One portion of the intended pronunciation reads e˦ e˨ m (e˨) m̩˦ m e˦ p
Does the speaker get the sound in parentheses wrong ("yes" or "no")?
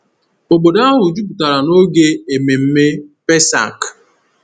no